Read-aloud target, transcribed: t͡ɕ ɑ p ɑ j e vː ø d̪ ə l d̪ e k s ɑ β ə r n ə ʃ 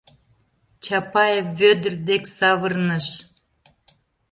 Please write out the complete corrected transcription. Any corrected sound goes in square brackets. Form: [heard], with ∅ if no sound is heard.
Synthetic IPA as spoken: t͡ɕ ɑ p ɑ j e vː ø d̪ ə [r] d̪ e k s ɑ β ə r n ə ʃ

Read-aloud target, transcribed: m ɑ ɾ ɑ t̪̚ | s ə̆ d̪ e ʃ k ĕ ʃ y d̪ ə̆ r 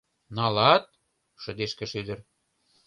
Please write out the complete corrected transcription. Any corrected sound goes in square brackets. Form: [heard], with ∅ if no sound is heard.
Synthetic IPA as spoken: [n] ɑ [l] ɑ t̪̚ | [ʃ] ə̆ d̪ e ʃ k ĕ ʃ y d̪ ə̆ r

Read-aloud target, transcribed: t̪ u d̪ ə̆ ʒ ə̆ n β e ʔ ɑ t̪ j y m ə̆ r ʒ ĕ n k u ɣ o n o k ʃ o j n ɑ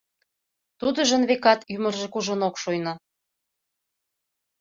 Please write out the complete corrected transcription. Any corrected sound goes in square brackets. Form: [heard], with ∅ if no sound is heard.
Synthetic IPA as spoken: t̪ u d̪ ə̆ ʒ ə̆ n β e [k] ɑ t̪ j y m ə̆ r ʒ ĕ [∅] k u [ʒ] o n o k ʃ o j n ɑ

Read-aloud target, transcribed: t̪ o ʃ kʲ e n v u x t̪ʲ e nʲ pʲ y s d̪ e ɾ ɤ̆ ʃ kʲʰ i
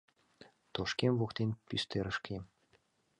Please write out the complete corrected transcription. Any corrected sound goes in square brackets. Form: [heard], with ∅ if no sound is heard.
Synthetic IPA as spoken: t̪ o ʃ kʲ e [m] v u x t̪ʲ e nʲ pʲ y s [t̪] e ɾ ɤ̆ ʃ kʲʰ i

